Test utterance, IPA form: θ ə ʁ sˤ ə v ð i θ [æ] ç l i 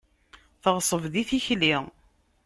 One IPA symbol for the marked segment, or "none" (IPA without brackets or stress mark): i